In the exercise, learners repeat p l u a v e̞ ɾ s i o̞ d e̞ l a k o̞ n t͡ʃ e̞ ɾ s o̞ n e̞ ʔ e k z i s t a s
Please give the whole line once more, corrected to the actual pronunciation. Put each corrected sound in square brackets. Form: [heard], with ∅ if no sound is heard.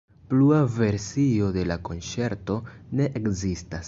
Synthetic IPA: p l u a v e̞ ɾ s i o̞ d e̞ l a k o̞ n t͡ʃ e̞ ɾ [t] o̞ n e̞ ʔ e k z i s t a s